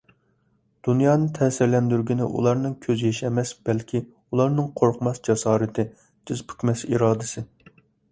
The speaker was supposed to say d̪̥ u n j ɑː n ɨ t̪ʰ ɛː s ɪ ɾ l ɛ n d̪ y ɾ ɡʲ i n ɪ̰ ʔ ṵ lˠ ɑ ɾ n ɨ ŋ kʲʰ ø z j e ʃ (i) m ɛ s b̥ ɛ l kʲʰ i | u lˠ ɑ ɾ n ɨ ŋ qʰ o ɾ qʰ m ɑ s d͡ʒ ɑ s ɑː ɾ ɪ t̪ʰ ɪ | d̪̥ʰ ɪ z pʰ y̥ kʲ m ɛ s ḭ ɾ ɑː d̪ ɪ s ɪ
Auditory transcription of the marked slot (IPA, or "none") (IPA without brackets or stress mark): ɛ